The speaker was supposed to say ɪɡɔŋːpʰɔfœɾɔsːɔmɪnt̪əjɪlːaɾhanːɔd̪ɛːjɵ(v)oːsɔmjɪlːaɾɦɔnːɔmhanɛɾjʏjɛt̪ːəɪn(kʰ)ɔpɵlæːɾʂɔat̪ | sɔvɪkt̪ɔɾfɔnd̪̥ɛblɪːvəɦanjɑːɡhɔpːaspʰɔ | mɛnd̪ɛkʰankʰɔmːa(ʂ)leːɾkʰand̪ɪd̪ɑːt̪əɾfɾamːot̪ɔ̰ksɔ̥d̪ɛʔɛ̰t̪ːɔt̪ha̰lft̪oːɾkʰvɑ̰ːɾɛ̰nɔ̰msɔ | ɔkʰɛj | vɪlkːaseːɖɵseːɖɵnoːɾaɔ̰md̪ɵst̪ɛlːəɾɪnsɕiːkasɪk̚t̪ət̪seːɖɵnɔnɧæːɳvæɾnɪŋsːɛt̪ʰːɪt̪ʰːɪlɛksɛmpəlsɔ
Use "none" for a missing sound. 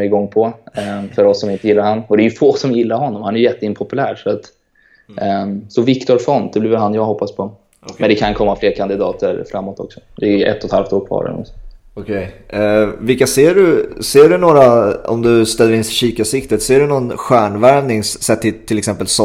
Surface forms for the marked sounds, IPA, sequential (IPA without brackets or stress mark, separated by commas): f, pʰ, f